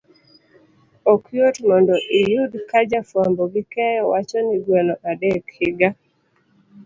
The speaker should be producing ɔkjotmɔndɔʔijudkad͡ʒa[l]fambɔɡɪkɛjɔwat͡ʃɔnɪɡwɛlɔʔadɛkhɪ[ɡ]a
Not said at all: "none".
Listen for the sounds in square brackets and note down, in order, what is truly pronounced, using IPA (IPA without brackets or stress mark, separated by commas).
none, ɡ